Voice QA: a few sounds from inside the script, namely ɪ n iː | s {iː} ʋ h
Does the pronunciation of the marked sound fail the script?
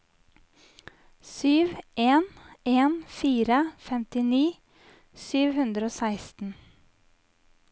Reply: yes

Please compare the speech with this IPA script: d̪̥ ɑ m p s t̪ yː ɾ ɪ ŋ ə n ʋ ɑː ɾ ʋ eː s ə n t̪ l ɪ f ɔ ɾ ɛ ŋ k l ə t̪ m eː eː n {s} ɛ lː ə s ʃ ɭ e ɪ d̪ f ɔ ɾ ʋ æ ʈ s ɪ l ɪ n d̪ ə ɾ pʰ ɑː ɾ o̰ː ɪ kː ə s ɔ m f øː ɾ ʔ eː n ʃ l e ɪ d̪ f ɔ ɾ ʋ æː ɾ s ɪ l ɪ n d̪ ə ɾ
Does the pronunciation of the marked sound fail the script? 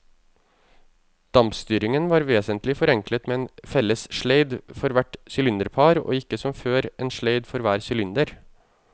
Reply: yes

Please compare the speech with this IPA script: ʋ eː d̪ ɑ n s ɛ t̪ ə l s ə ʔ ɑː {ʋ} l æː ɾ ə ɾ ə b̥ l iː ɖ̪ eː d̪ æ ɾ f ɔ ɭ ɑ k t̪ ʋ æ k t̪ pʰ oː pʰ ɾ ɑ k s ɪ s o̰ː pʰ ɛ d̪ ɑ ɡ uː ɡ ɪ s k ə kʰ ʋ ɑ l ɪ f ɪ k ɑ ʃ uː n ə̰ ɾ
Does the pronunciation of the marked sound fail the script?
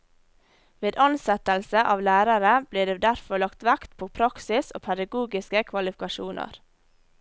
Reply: no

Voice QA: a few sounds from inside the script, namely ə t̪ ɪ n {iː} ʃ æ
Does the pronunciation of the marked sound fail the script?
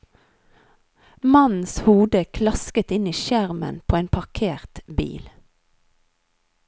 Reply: no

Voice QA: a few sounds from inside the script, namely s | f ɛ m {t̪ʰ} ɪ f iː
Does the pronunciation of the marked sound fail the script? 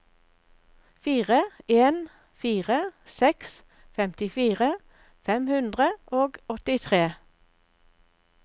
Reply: yes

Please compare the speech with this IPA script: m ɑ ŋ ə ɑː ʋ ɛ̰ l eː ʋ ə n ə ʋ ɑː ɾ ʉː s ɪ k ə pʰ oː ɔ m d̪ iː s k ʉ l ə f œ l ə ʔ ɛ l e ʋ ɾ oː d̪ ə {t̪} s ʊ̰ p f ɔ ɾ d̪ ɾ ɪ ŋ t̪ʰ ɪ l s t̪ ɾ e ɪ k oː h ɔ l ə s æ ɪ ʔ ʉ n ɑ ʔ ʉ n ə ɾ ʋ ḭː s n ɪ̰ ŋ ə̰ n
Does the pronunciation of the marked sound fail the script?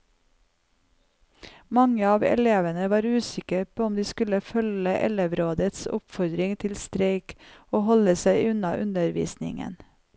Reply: no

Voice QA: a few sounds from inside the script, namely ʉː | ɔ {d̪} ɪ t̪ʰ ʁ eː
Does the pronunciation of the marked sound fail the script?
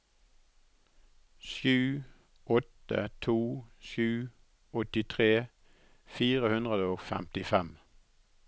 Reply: yes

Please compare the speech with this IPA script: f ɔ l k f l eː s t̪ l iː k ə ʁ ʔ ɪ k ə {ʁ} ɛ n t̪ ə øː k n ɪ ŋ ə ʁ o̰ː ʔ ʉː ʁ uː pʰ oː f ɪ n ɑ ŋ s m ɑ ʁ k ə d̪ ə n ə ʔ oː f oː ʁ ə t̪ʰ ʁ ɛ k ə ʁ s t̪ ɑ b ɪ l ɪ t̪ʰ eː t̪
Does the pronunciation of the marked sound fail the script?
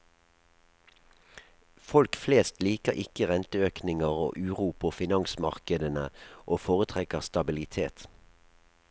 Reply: no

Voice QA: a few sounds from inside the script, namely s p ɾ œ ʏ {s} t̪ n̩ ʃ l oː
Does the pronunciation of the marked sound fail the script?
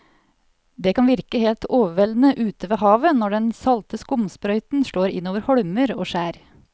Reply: yes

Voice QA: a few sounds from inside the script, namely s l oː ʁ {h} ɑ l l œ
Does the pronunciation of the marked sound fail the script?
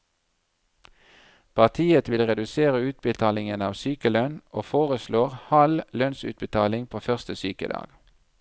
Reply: no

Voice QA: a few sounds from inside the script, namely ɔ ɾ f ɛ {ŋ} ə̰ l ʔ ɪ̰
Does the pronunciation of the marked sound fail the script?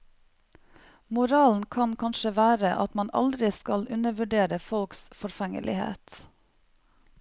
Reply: no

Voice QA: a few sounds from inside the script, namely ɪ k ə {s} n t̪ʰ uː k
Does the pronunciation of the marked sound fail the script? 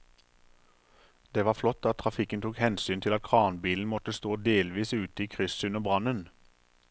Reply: yes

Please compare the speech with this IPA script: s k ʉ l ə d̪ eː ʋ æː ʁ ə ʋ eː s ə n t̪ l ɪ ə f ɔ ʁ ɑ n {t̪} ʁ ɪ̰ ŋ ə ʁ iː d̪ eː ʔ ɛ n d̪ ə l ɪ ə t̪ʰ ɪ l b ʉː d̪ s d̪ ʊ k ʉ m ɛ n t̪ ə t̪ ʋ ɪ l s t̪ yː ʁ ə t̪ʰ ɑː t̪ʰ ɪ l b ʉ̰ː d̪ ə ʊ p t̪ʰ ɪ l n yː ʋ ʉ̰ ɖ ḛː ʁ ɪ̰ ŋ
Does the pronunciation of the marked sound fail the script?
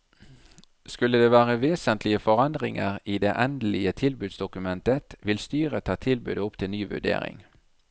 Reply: yes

